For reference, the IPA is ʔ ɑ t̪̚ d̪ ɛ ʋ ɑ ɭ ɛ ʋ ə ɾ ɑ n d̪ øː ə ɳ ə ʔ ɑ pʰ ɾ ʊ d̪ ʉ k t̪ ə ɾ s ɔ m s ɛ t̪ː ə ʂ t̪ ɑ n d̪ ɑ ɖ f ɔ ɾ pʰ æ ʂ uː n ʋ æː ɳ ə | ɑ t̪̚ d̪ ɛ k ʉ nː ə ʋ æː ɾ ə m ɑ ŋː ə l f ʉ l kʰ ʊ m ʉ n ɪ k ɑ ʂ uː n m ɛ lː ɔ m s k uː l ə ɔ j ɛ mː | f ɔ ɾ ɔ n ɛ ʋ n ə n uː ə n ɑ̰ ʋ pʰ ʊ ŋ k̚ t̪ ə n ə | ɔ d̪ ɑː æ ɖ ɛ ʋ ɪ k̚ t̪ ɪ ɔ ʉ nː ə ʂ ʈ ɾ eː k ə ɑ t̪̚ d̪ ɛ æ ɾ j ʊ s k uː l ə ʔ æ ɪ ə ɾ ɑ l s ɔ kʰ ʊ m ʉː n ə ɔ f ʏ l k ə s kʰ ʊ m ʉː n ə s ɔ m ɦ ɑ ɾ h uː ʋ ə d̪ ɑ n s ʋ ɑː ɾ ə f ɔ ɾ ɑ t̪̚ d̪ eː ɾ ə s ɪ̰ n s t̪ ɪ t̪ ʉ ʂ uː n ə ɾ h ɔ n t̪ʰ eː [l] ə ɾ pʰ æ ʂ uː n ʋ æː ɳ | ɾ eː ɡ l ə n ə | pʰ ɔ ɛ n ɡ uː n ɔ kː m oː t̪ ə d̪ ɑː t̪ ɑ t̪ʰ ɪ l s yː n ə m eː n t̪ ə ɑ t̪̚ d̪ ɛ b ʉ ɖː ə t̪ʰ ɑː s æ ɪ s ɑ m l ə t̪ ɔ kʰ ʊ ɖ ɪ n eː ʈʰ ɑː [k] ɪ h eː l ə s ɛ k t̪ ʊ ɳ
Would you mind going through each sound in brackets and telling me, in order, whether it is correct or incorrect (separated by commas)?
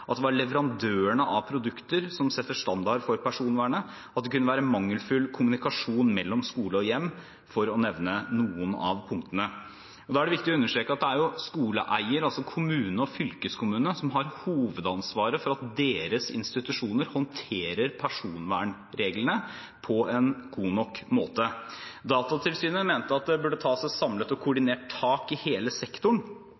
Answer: incorrect, correct